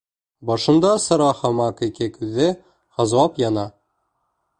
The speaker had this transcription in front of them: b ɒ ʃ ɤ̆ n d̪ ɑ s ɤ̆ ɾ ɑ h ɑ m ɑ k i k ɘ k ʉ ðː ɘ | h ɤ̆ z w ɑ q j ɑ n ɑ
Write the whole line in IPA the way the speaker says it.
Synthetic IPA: b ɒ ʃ ɤ̆ n d̪ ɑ s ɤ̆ ɾ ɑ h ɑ m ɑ k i k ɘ k ʉ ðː ɘ | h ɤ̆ z w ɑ p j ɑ n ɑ